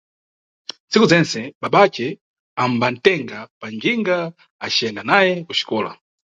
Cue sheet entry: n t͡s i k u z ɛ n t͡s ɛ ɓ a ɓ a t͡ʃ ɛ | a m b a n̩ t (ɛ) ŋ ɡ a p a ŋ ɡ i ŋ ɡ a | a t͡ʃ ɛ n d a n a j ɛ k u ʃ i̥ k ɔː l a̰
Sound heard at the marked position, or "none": ɛ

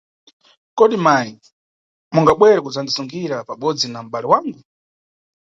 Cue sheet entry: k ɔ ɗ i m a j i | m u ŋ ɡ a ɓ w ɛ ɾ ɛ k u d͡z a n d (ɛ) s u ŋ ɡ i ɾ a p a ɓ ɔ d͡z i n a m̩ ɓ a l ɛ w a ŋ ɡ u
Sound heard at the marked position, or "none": i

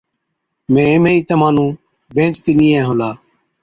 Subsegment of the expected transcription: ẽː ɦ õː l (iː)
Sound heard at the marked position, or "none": aː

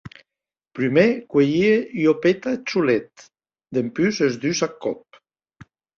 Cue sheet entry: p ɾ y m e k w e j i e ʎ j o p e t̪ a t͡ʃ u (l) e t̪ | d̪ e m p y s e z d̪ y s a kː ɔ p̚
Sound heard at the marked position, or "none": l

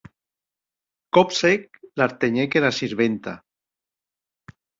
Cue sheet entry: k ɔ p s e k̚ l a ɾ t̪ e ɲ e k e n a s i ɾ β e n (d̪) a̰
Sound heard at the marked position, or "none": t̪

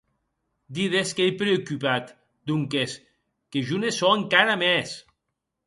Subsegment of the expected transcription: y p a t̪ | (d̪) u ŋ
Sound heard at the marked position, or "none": d̪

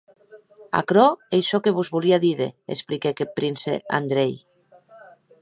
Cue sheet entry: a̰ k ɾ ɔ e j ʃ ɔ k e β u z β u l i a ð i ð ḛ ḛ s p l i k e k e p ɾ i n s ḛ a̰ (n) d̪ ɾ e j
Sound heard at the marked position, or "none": n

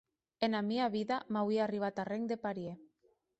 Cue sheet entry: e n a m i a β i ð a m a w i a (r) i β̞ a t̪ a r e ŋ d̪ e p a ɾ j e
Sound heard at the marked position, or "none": r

